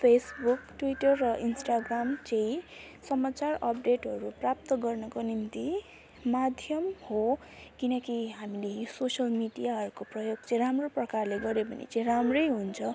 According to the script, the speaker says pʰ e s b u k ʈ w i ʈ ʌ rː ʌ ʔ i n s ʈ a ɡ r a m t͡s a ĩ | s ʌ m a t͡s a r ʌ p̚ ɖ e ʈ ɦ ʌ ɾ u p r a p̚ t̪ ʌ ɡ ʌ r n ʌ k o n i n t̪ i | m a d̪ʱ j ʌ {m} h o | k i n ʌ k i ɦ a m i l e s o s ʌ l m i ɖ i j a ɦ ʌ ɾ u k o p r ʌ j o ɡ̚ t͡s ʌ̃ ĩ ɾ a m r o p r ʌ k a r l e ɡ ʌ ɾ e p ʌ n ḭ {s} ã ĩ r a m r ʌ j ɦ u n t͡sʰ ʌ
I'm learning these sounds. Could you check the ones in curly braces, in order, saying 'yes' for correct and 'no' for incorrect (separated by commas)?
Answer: yes, no